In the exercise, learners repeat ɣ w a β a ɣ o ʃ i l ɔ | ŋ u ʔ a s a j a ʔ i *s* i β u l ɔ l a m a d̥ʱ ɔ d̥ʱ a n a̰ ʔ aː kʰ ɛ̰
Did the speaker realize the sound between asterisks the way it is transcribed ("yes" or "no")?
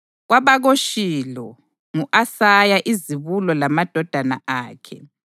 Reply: no